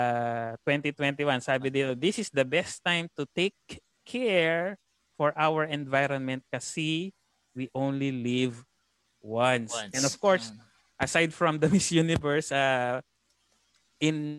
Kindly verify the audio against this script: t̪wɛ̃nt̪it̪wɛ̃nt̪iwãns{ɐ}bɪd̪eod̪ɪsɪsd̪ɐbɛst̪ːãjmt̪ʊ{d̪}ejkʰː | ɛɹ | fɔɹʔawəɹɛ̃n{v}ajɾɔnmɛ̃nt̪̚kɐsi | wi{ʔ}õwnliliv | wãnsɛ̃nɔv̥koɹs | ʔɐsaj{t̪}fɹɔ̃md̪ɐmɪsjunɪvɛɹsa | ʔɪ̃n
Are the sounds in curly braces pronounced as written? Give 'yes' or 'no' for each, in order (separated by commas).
no, no, yes, yes, no